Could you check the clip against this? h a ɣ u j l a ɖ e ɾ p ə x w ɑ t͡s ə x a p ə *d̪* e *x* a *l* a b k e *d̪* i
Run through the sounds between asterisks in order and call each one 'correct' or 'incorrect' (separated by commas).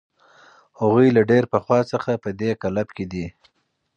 correct, incorrect, correct, correct